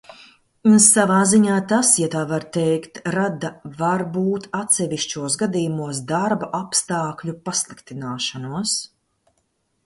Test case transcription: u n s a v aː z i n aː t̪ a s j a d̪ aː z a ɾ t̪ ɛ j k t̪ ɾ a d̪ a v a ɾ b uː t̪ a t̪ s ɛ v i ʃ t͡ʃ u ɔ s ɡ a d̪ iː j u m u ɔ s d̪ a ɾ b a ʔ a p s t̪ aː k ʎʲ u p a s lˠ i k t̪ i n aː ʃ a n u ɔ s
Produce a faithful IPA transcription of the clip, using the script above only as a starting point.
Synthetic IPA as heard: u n s a v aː z i ɲ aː t̪ a s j a t̪ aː v a ɾ t̪ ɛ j k t̪ ɾ a d̪ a v a ɾ b uː t̪ a t̪ s ɛ v i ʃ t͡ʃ u ɔ s ɡ a d̪ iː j u m u ɔ s d̪ a ɾ b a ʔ a p s t̪ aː k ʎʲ u p a s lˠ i k t̪ i n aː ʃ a n u ɔ s